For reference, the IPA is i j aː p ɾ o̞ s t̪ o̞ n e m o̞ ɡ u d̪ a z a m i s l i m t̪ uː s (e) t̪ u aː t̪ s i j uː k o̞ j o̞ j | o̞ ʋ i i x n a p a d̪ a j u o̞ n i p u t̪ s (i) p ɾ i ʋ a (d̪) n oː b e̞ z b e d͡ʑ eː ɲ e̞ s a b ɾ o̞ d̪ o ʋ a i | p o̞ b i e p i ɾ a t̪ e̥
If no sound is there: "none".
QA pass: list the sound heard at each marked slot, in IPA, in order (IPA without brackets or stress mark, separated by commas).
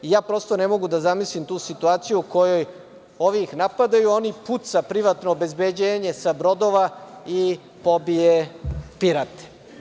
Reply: i, a, t̪